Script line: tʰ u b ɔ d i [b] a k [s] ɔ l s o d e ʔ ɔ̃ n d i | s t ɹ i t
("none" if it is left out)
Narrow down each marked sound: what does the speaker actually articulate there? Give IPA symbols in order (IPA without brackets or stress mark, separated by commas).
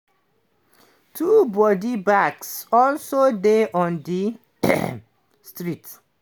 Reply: b, s